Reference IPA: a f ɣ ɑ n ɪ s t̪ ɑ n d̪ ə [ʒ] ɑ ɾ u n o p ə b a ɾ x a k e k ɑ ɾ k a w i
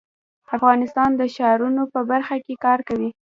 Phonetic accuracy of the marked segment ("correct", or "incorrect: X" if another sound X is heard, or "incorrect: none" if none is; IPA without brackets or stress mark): incorrect: ʃ